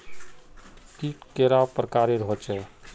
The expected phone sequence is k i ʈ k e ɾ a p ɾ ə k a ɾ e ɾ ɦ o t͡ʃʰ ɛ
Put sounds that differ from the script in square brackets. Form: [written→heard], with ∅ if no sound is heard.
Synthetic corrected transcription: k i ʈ k e ɾ a p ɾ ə k a ɾ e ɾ ɦ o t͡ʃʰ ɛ